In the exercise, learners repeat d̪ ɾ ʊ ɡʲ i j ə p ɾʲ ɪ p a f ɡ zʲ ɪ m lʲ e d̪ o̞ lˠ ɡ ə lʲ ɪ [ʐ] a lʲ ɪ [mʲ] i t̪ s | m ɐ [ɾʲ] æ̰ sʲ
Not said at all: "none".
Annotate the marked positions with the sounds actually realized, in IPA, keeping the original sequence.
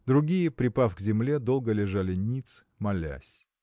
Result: ʐ, nʲ, lʲ

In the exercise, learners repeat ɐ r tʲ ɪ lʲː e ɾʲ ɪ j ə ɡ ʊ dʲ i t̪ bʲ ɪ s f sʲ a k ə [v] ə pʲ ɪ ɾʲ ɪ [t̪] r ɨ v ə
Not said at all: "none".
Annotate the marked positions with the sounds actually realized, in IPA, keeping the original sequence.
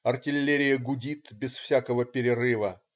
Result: v, none

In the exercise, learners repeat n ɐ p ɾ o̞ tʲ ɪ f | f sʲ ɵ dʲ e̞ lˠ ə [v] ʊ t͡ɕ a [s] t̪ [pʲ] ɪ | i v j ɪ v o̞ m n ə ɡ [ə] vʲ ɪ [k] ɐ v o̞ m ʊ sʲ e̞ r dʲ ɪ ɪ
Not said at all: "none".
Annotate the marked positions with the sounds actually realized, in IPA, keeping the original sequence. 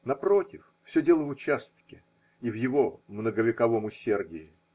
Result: v, s, kʲ, ə, k

